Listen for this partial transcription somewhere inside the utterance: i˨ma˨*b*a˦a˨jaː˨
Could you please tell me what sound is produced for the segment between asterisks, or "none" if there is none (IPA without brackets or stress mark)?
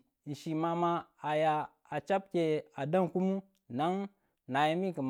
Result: m